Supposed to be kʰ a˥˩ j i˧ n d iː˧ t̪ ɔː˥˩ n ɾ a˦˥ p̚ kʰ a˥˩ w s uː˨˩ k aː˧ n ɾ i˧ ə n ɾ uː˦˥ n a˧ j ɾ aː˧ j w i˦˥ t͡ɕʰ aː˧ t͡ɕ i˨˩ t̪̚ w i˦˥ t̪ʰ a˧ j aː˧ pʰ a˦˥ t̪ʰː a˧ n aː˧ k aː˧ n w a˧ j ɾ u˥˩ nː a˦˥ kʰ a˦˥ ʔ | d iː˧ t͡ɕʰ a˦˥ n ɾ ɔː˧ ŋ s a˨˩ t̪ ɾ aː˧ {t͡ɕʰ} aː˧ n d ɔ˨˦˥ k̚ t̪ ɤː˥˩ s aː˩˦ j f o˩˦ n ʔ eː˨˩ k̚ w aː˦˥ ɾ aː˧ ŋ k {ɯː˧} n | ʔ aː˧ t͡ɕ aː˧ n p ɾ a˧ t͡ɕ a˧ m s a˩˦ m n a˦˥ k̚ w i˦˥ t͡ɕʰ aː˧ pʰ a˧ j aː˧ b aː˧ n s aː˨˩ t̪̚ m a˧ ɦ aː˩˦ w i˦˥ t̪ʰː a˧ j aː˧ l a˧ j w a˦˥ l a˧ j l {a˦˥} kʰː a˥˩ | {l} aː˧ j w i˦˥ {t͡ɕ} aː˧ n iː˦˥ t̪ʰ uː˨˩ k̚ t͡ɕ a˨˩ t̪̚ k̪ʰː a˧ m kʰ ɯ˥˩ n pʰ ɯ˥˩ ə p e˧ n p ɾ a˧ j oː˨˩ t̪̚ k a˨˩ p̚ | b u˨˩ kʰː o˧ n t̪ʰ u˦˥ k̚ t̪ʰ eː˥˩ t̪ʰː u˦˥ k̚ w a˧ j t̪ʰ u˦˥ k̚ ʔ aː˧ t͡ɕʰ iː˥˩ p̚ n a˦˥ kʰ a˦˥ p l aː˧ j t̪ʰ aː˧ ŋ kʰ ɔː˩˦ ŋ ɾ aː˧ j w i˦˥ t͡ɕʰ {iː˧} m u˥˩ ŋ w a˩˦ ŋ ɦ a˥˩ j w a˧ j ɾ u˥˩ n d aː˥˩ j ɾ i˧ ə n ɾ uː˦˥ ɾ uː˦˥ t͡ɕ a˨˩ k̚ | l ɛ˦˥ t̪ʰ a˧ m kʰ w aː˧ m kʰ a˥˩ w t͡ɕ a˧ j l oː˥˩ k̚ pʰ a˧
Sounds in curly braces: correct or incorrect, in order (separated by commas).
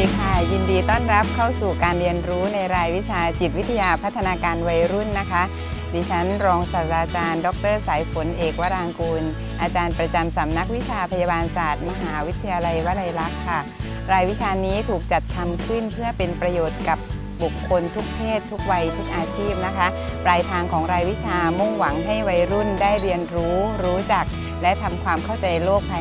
incorrect, incorrect, correct, incorrect, incorrect, incorrect